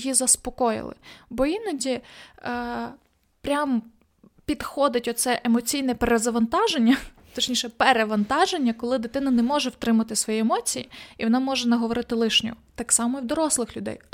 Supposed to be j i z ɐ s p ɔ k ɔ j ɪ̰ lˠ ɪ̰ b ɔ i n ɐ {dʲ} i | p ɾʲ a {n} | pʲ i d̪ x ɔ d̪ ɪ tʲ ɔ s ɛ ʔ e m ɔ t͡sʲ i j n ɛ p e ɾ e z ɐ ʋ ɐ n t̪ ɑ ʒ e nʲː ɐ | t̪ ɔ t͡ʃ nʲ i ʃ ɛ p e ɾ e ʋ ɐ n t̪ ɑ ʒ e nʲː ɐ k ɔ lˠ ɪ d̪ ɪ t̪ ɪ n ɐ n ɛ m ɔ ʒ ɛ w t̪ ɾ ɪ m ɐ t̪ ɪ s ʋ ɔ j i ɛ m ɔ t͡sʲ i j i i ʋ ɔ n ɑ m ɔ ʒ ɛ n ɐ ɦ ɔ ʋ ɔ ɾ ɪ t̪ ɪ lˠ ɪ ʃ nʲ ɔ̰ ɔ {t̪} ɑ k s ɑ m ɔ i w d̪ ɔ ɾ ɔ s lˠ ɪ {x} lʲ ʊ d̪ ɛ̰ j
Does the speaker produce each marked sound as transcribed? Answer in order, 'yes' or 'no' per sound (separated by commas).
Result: yes, no, yes, yes